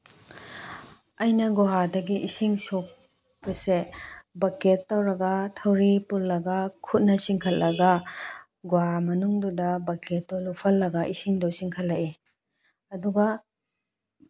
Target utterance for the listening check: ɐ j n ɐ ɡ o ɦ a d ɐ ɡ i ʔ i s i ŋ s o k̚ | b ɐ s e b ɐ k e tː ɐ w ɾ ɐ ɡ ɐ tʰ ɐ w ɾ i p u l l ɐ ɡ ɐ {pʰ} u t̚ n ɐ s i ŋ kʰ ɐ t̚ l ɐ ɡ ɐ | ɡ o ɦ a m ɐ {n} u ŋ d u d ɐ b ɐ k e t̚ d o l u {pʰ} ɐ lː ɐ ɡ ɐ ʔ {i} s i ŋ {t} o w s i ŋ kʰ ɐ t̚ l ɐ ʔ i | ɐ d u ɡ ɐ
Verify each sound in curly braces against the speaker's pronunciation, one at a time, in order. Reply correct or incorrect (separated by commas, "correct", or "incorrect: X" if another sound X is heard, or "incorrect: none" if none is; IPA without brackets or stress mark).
incorrect: kʰ, correct, correct, correct, incorrect: d